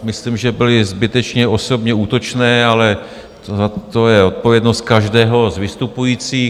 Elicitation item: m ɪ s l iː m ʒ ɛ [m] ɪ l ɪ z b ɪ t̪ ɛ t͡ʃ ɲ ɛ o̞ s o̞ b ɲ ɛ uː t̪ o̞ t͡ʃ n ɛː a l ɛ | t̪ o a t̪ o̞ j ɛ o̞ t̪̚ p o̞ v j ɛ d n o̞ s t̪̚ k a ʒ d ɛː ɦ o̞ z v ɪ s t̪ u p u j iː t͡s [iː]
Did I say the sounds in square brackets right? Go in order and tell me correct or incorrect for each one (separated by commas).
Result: incorrect, correct